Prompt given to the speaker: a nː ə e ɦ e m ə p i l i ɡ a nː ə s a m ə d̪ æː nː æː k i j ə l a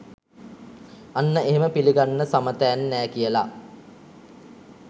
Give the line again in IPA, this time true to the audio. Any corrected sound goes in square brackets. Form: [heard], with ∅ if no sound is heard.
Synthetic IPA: a nː ə e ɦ e m ə p i l i ɡ a nː ə s a m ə [t̪] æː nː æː k i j ə l a